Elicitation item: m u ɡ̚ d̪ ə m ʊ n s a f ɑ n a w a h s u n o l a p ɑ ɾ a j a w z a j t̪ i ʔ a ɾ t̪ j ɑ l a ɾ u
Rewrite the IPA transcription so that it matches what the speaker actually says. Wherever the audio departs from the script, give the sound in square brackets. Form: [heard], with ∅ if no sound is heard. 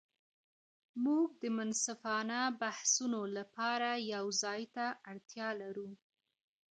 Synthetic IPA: m u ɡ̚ d̪ ə m ʊ n s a f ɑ n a [b] a h s u n o l a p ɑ ɾ a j a w z [ɑ] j t̪ [a] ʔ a [ɽ] t̪ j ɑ l a ɾ u